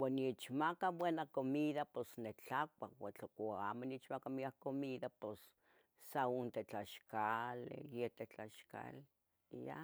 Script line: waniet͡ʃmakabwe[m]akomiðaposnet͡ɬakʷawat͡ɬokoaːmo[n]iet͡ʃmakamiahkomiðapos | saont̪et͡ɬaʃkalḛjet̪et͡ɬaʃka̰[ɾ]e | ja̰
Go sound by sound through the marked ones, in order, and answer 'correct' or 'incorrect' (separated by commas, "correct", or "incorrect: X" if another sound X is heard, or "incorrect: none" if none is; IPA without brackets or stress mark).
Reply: incorrect: n, correct, incorrect: l